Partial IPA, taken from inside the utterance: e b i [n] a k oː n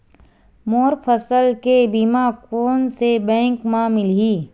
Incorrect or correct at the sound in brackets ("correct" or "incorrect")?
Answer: incorrect